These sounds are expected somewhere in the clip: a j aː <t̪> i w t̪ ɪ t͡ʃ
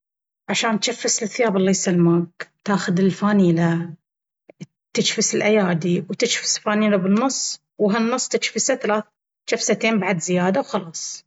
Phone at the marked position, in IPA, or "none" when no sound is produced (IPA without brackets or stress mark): d̪